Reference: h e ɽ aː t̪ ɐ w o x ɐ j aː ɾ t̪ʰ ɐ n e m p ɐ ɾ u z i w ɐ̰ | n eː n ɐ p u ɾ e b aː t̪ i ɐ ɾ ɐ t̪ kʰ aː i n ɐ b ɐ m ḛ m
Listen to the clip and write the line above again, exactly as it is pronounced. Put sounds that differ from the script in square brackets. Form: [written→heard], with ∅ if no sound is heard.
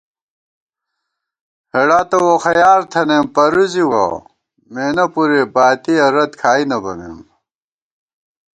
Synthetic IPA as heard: h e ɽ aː t̪ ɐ w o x ɐ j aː ɾ t̪ʰ ɐ n e m p ɐ ɾ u z i w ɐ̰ | [n→m] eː n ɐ p u ɾ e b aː t̪ i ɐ ɾ ɐ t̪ kʰ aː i n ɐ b ɐ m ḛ m